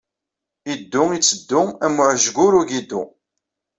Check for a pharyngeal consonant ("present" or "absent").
present